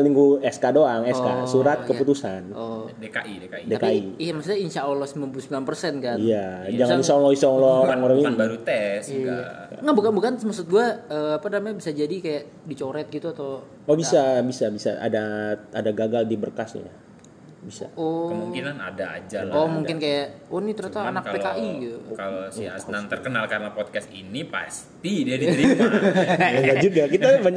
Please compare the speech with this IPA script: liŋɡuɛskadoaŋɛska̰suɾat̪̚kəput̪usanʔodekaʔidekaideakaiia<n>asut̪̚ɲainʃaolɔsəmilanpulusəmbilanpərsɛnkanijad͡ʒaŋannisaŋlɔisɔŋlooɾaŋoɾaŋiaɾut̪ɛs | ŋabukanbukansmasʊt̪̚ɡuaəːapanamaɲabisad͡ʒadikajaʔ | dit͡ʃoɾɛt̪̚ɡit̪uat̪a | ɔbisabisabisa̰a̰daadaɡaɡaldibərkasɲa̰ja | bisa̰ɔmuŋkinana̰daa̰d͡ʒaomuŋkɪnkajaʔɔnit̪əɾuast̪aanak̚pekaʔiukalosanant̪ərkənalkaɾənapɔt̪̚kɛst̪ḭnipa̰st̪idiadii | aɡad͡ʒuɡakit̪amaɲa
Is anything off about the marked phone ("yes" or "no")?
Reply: yes